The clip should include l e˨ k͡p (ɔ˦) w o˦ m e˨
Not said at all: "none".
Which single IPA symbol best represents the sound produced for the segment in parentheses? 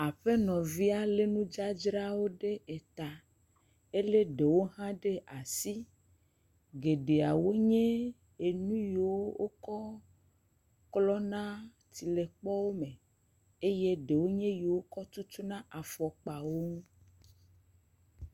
ɔ˦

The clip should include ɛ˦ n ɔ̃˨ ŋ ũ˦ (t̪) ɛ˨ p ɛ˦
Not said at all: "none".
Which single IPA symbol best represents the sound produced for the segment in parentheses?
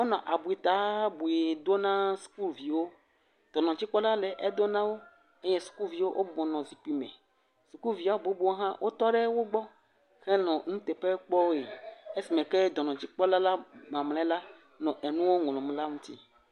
t̪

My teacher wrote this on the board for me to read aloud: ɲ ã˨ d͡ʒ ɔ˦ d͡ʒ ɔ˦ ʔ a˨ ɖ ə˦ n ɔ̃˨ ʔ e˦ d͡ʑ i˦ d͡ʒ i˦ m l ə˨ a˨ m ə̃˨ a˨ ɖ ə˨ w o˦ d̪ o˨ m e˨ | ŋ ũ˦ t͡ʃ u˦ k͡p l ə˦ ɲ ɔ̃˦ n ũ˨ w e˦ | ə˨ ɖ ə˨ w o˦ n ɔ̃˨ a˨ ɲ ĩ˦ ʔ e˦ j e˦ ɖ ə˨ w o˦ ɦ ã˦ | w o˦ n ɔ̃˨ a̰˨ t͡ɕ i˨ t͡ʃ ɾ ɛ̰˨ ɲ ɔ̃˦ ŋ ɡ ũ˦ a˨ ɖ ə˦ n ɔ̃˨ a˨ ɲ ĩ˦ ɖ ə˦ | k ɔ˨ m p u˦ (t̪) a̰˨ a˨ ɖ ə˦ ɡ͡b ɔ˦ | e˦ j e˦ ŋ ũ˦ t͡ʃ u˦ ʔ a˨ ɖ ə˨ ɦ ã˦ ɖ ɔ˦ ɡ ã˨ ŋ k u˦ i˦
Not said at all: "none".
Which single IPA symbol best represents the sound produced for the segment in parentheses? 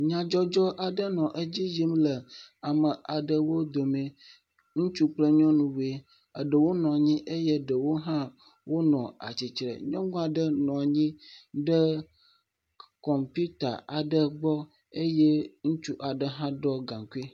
t̪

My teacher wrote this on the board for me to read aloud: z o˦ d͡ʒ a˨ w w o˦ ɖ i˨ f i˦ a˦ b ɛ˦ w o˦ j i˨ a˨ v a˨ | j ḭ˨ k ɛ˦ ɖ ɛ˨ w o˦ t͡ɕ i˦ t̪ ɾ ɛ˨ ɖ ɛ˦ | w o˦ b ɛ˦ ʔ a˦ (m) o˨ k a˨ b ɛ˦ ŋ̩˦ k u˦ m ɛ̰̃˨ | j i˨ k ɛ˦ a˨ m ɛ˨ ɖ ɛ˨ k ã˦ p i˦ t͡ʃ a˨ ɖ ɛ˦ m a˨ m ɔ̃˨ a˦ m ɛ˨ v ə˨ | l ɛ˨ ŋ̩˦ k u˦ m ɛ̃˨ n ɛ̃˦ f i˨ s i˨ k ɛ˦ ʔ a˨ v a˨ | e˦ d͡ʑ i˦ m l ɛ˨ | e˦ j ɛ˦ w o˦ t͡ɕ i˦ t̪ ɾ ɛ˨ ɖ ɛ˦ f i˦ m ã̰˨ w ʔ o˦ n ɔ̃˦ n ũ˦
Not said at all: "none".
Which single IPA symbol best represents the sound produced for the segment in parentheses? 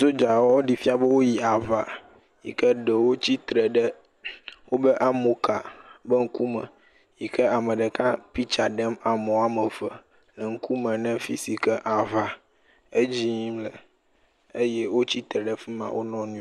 m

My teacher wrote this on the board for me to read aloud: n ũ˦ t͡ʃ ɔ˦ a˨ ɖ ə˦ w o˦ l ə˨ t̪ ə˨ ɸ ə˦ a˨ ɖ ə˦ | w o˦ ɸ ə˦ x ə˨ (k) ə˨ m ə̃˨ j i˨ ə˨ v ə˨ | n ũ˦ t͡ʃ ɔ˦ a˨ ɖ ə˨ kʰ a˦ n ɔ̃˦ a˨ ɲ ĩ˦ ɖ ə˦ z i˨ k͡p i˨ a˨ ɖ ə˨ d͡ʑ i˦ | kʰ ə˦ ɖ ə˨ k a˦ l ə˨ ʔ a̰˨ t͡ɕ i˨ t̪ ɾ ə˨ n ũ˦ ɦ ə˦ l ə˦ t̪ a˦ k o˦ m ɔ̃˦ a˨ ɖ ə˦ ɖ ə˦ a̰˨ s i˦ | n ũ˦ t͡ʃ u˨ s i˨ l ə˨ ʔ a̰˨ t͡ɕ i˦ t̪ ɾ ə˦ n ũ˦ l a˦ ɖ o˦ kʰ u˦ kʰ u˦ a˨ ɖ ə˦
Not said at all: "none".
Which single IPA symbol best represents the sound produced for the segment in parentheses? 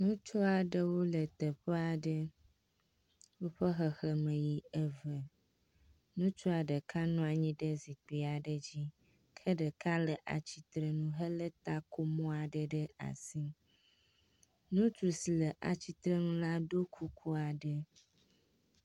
x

